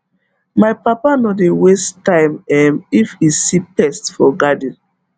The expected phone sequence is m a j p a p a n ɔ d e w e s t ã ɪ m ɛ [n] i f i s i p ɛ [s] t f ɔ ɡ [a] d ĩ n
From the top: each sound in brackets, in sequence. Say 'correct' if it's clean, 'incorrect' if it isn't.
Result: incorrect: m, correct, correct

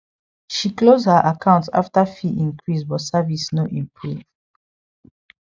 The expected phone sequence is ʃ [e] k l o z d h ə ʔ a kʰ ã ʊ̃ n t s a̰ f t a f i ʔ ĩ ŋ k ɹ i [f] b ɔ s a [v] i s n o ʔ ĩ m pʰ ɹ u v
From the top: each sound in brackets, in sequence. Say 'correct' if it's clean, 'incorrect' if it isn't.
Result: incorrect: i, incorrect: s, correct

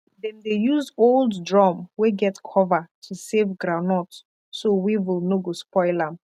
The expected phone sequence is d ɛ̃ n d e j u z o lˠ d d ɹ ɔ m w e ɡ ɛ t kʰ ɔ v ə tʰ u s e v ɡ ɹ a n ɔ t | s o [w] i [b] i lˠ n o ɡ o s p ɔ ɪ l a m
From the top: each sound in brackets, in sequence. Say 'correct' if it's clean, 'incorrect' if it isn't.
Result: correct, incorrect: w

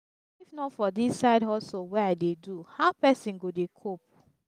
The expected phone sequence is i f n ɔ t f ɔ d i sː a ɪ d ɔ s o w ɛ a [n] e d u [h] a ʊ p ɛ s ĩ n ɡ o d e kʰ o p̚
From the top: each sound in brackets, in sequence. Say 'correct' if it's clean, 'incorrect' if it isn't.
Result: incorrect: d, correct

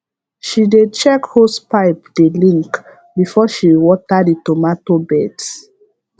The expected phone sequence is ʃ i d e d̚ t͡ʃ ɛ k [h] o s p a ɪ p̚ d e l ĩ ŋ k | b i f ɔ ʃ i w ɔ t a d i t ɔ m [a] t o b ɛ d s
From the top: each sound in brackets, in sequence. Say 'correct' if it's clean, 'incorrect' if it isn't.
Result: correct, correct

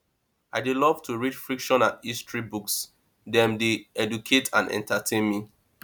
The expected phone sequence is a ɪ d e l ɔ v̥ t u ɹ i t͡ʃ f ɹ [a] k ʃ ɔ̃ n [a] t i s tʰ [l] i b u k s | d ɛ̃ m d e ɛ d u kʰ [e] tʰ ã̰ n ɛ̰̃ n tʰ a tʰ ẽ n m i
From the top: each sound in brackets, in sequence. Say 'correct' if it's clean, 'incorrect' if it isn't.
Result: incorrect: i, correct, incorrect: ɹ, correct

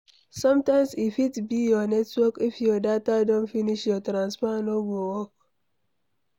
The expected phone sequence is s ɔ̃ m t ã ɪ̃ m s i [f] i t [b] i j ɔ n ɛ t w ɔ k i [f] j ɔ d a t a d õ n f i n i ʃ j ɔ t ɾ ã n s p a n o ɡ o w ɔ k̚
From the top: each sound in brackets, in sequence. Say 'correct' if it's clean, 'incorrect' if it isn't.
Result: correct, correct, correct

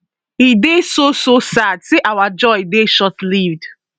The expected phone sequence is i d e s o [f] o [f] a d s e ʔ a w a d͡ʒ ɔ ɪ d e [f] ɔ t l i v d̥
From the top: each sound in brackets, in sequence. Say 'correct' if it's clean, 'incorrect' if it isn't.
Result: incorrect: s, incorrect: s, incorrect: ʃ

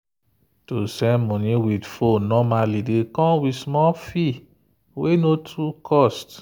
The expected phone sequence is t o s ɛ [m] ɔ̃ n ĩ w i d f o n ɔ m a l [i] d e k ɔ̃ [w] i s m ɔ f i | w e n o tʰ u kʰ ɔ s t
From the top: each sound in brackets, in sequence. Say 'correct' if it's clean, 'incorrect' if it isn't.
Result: correct, correct, correct

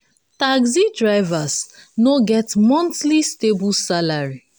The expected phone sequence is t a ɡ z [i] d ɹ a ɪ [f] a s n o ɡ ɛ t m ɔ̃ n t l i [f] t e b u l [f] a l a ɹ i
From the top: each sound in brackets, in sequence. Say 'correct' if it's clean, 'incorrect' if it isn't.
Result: correct, incorrect: v, incorrect: s, incorrect: s

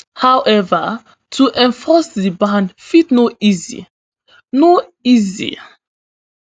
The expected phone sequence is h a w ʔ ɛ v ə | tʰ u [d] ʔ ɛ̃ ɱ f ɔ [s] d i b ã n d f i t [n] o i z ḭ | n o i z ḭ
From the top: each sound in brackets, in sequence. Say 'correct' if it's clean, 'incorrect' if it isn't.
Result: incorrect: none, correct, correct

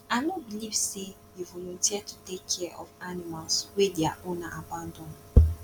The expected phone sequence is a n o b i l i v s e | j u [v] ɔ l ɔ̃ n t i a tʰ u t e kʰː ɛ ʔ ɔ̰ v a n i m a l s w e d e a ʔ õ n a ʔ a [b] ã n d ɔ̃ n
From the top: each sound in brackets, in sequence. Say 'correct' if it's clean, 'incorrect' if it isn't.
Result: correct, correct

